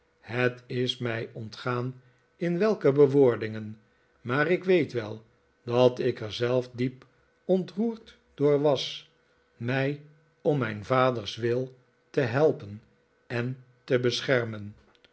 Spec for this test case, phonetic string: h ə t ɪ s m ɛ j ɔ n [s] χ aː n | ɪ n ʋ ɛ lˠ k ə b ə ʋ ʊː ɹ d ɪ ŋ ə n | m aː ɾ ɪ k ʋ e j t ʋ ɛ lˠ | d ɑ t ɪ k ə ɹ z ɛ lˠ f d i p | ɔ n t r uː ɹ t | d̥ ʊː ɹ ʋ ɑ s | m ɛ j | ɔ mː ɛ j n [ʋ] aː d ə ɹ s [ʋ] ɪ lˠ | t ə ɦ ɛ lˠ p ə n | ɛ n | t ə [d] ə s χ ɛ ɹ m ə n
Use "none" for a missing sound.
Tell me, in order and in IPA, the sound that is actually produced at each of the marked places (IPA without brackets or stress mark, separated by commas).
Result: t, v, ʋ, b